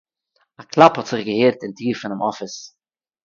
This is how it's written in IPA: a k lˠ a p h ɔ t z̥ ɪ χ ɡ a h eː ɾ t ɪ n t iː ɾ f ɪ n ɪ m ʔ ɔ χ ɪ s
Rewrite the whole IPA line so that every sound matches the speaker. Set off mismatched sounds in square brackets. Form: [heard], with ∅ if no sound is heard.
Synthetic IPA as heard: a k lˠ a p h ɔ t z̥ ɪ χ ɡ [ə] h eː ɾ t ɪ n t iː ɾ f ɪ n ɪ m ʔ ɔ [f] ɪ s